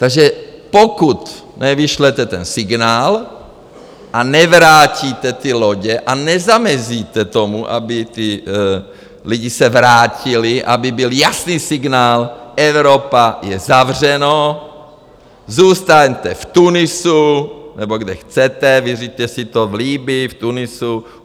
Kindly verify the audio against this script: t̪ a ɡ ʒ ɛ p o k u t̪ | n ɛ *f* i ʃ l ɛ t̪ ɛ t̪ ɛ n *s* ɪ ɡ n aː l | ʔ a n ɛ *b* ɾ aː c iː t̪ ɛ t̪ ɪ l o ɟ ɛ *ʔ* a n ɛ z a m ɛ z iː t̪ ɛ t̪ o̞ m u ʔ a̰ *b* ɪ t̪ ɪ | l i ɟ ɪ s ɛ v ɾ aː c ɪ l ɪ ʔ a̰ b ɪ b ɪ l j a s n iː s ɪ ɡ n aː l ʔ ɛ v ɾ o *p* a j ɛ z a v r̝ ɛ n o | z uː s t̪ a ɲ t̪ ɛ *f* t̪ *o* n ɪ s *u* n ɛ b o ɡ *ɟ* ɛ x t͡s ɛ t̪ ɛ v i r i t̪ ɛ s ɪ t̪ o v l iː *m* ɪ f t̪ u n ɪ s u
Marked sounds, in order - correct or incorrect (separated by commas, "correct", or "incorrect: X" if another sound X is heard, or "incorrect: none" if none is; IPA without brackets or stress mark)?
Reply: incorrect: v, correct, incorrect: v, correct, correct, correct, correct, incorrect: u, correct, incorrect: d, incorrect: b